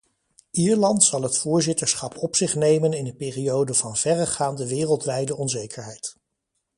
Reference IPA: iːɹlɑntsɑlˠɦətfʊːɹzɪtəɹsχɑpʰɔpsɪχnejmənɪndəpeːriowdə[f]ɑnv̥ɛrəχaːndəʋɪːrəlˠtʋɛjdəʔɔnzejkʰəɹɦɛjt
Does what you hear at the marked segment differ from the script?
yes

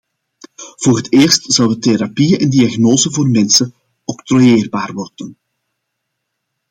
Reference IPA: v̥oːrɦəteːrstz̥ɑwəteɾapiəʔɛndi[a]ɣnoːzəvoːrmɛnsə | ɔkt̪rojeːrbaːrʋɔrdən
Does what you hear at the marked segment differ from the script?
no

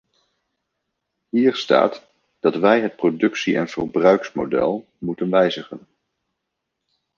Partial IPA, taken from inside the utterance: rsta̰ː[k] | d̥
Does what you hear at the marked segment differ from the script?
yes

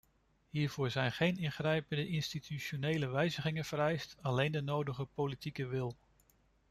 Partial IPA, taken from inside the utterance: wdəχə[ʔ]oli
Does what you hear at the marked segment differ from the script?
yes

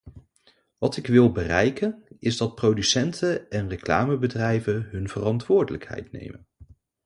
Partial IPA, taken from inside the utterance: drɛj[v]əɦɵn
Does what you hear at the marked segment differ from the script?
no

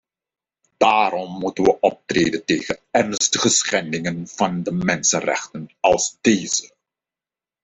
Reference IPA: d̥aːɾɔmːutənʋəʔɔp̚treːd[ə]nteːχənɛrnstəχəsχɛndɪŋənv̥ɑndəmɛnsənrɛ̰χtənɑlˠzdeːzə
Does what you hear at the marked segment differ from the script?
no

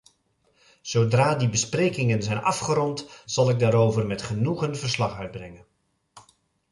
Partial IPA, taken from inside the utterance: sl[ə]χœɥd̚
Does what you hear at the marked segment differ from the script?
yes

